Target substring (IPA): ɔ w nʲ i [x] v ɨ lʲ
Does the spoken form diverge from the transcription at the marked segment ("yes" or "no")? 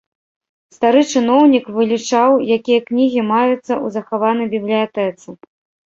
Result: yes